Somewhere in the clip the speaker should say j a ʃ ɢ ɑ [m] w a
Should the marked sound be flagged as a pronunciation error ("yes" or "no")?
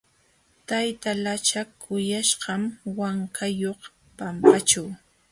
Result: no